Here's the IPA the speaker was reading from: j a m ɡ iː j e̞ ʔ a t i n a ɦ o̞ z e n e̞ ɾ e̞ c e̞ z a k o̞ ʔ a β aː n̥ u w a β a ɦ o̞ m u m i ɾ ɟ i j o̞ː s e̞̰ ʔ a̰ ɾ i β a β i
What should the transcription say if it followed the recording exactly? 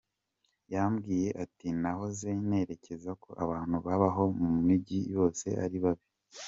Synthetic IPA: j a m ɡ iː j e̞ ʔ a t i n a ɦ o̞ z e n e̞ ɾ e̞ c e̞ z a k o̞ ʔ a β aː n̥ u β a β a ɦ o̞ m u m i ɟ i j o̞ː s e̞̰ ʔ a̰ ɾ i β a β i